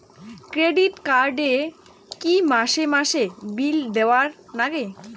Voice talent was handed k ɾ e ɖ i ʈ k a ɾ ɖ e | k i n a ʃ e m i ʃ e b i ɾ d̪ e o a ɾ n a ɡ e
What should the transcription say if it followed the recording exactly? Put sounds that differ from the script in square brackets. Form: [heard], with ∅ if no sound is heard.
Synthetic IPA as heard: k ɾ e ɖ i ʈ k a ɾ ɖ e | k i [m] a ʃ e m [a] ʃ e b i [l] d̪ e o a ɾ n a ɡ e